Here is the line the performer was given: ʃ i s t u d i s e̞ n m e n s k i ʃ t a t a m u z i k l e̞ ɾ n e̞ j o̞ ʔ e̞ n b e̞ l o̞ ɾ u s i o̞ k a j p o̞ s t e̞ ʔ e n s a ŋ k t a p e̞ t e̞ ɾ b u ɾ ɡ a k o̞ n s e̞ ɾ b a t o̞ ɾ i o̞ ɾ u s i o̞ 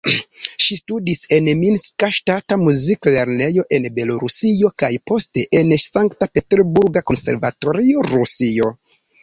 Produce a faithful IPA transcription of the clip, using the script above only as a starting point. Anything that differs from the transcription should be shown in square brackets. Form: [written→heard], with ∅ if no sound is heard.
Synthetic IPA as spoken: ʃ i s t u d i s e̞ n m [e→i] n s k [i→a] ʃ t a t a m u z i k l e̞ ɾ n e̞ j o̞ ʔ e̞ n b e̞ l o̞ ɾ u s i o̞ k a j p o̞ s t e̞ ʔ e n s a ŋ k t a p e̞ t e̞ ɾ b u ɾ ɡ a k o̞ n s e̞ ɾ [b→v] a t o̞ ɾ i o̞ ɾ u s i o̞